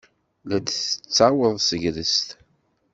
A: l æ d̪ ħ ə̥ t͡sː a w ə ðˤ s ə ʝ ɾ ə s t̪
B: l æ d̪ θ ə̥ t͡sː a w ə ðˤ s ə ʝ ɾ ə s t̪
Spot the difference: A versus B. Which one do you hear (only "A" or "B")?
B